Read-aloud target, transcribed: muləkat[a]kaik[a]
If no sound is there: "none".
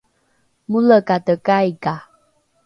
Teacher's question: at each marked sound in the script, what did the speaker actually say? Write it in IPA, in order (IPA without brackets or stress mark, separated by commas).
ə, a